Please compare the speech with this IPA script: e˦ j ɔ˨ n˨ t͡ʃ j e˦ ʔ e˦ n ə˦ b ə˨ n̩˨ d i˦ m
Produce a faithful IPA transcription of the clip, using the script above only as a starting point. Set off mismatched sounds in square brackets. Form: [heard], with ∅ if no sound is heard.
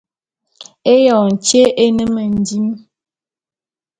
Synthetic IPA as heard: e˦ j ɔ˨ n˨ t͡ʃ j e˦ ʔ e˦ n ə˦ [m] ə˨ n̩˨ d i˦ m